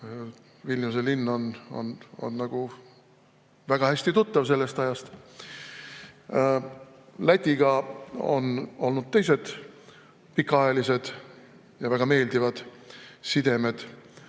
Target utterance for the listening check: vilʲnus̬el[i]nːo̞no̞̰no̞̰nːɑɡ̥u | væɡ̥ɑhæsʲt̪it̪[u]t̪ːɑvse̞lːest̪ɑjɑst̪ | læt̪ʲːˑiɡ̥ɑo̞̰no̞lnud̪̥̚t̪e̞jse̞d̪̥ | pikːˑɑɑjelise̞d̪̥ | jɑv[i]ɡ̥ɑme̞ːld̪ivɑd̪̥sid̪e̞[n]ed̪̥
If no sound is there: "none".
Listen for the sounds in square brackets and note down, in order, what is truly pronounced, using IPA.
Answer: i, u, æ, m

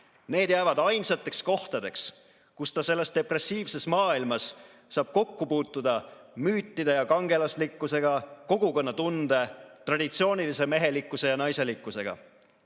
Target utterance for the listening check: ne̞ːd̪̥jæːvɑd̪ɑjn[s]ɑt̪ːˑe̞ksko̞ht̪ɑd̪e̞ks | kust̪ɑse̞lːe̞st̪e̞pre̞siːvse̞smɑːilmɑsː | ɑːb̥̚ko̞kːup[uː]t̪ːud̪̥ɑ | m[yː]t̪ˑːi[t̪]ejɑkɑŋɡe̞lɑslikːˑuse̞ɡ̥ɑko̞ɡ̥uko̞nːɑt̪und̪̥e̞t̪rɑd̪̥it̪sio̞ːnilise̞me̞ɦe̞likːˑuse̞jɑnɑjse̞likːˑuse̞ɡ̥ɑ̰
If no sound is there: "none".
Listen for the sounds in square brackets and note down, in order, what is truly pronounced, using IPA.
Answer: s, uː, yː, d̪

